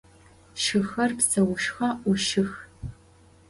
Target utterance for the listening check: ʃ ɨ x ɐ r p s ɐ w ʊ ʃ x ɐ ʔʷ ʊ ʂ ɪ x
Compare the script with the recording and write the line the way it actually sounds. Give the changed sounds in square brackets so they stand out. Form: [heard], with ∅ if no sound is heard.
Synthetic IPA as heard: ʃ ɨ x ɐ r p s ɐ w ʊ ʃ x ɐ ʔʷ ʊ [ʃ] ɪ x